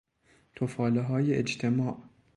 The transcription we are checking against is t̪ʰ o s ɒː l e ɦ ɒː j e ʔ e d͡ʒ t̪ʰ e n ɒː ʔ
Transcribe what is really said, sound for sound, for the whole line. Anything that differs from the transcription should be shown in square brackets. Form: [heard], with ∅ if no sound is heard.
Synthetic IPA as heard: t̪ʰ o [f] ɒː l e ɦ ɒː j e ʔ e d͡ʒ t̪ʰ e [m] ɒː ʔ